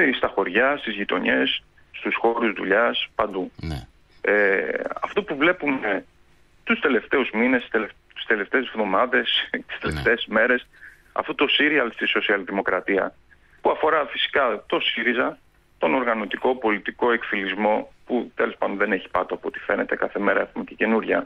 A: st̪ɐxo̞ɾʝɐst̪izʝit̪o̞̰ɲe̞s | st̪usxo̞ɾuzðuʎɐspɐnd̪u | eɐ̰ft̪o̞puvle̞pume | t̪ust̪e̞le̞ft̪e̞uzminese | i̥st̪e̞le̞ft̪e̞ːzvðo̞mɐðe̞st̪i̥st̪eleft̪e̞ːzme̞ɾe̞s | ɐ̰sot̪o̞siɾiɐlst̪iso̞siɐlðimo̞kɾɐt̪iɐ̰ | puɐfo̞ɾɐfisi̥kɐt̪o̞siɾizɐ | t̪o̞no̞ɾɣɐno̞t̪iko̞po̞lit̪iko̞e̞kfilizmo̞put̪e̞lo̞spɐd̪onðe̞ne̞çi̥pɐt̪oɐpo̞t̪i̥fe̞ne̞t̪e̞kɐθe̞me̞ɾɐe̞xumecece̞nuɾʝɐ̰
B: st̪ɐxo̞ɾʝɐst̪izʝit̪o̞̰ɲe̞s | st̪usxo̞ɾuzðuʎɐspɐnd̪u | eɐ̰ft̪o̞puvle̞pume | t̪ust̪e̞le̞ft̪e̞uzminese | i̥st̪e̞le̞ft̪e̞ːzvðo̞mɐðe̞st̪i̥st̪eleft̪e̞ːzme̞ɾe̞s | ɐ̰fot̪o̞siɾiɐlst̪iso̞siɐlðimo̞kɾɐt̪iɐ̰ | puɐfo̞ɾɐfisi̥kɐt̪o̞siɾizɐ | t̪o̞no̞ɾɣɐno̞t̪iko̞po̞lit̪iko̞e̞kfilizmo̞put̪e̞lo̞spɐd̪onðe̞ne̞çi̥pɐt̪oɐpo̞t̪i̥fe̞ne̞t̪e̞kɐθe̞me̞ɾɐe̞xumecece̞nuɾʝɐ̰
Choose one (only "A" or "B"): B